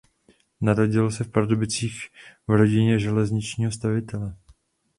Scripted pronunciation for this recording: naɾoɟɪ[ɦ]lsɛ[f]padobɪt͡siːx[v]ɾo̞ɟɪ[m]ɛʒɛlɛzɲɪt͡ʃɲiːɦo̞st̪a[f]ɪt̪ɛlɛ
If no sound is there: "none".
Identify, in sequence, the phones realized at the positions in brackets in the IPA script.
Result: none, f, v, ɲ, v

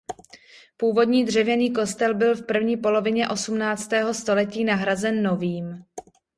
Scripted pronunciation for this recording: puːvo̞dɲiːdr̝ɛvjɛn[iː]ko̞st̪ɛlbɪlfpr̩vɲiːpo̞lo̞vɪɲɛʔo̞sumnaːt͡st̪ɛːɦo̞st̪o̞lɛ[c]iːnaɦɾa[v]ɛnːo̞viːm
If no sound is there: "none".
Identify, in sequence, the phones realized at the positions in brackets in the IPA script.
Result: iː, c, z

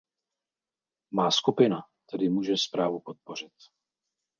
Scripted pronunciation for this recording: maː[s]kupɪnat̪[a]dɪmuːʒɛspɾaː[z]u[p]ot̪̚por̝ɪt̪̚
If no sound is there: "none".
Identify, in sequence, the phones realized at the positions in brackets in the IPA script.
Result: s, ɛ, v, p

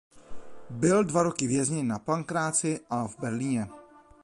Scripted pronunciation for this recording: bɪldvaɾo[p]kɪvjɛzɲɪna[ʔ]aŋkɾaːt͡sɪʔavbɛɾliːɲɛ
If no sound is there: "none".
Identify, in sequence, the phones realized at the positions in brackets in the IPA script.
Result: none, p

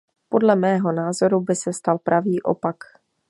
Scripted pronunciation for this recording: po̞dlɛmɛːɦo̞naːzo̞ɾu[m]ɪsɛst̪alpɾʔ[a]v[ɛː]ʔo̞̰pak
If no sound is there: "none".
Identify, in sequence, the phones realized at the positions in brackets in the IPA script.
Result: b, a, iː

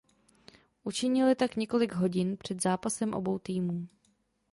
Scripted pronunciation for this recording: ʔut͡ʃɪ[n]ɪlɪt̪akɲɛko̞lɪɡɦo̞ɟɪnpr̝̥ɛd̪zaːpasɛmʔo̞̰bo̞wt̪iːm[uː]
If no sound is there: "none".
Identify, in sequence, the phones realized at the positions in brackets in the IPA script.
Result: ɲ, uː

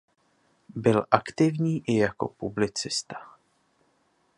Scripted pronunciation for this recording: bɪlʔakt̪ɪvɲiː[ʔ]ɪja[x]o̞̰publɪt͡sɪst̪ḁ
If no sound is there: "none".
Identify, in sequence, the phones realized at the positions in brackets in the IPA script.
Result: ʔ, k

